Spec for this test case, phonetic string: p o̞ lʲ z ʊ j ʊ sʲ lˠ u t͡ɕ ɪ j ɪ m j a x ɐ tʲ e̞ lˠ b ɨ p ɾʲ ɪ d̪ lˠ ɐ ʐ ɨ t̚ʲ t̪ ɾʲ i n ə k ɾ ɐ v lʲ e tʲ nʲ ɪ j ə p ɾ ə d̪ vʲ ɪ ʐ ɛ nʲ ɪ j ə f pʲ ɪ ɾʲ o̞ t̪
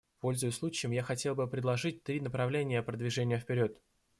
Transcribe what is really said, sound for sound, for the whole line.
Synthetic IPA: p o̞ lʲ z ʊ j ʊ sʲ lˠ u t͡ɕ ɪ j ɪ m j a x ɐ tʲ e̞ lˠ b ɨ p ɾʲ ɪ d̪ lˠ ɐ ʐ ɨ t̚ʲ t̪ ɾʲ i n ə p ɾ ɐ v lʲ e nʲ ɪ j ə p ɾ ə d̪ vʲ ɪ ʐ ɛ nʲ ɪ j ə f pʲ ɪ ɾʲ o̞ t̪